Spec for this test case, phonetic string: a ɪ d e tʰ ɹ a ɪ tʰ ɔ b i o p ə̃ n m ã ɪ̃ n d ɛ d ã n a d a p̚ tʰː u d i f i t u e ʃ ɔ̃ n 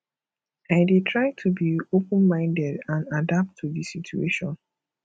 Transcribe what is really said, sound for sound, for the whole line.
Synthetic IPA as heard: a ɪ d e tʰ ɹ a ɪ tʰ u b i o p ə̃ n m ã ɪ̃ n d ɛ d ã n a d a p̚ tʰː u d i s i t u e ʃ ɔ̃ n